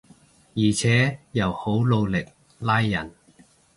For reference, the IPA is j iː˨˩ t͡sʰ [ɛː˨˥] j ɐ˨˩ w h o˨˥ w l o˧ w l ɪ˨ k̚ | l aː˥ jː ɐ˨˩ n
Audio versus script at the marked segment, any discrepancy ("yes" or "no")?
no